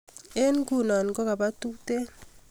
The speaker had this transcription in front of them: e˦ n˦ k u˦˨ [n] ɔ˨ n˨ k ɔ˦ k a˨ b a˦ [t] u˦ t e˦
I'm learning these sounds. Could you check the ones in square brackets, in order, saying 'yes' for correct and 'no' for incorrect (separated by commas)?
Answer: yes, yes